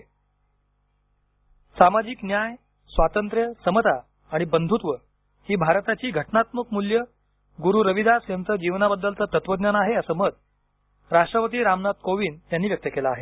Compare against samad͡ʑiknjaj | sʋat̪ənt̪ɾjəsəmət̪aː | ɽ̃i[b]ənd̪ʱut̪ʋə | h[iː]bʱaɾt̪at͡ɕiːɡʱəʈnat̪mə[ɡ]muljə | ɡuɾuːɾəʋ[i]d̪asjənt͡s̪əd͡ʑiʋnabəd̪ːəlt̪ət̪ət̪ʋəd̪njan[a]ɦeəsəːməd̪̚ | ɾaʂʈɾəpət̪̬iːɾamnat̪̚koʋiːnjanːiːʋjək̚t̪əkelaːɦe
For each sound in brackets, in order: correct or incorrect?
correct, correct, incorrect, correct, correct

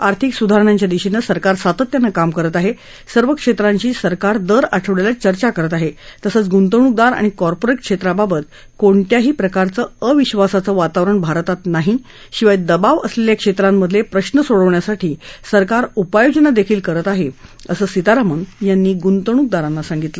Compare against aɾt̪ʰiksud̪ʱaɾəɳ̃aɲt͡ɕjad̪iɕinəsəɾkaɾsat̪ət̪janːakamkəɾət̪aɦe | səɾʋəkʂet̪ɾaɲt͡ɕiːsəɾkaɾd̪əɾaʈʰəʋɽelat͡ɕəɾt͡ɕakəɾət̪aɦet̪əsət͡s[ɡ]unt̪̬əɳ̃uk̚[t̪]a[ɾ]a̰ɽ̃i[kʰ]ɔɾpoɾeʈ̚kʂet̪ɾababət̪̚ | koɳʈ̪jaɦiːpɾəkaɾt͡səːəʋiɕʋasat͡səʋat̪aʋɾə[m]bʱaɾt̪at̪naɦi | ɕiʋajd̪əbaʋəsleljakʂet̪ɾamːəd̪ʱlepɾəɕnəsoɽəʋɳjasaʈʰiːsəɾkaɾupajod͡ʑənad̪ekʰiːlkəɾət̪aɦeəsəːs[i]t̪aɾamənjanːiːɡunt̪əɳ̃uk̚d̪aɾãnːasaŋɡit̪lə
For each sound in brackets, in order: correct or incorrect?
correct, incorrect, correct, incorrect, incorrect, correct

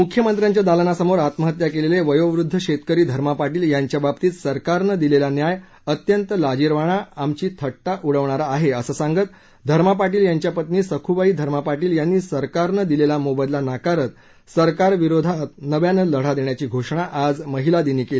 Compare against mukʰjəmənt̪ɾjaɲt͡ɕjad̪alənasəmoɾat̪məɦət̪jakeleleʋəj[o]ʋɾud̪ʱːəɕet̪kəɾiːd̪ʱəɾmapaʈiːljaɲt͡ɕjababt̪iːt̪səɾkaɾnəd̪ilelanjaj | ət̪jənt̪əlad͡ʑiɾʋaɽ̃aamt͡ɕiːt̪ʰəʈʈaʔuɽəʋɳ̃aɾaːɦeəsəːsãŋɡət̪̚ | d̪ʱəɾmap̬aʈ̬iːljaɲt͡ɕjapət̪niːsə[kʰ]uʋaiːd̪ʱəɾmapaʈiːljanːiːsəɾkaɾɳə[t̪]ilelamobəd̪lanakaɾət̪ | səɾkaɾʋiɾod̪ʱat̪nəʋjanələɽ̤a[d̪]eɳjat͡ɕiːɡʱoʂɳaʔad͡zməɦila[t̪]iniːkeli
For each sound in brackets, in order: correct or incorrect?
correct, correct, incorrect, correct, incorrect

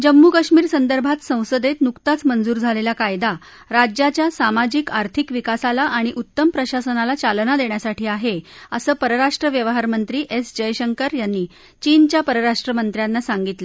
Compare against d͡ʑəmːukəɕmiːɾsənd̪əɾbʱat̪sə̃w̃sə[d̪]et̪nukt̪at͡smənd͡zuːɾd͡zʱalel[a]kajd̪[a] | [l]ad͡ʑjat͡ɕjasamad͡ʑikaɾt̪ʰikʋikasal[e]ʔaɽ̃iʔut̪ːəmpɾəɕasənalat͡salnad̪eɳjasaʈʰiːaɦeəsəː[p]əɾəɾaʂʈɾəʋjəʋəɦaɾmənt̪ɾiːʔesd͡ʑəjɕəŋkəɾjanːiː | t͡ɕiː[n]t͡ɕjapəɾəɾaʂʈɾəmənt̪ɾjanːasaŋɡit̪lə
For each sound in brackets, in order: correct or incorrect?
correct, correct, correct, incorrect, incorrect, correct, correct

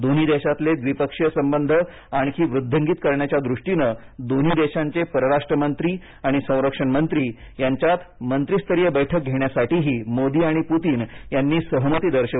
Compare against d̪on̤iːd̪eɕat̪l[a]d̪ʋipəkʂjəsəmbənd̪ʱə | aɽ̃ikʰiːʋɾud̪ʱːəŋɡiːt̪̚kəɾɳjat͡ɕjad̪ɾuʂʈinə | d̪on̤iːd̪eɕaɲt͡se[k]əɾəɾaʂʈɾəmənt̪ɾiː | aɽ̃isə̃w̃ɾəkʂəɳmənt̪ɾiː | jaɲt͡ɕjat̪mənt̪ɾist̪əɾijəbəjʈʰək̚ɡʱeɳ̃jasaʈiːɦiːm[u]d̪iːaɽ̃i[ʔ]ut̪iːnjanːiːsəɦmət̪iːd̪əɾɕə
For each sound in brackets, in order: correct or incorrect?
incorrect, incorrect, incorrect, incorrect

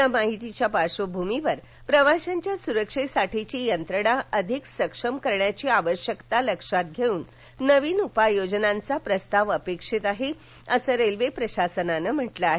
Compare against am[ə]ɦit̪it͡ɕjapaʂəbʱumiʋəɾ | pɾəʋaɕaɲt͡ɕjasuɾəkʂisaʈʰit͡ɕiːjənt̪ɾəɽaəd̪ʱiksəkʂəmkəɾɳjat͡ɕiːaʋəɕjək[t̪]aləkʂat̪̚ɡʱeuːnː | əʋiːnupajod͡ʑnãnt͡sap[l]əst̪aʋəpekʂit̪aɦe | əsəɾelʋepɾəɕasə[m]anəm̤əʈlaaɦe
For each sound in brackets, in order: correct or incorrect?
incorrect, correct, incorrect, incorrect

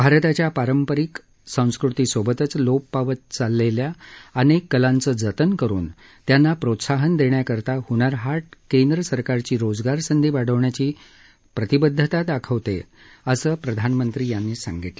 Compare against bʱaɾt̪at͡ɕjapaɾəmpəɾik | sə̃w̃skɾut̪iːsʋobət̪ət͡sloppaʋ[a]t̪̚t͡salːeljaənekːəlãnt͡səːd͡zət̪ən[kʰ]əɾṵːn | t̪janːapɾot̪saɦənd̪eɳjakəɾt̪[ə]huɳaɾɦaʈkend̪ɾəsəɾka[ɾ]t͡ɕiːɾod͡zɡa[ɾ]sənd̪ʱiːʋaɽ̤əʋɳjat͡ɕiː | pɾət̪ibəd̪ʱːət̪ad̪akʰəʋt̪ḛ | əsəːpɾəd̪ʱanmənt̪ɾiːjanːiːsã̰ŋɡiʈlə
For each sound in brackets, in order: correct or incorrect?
incorrect, incorrect, incorrect, correct, correct

